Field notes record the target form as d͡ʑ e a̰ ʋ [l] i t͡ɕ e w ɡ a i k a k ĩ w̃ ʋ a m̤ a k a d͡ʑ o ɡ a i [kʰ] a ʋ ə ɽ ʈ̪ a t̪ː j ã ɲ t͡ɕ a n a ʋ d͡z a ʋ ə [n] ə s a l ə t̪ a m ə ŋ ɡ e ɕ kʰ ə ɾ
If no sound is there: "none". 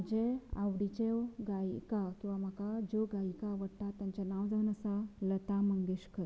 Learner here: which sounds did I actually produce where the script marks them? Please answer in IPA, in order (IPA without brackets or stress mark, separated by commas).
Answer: ɽ, k, n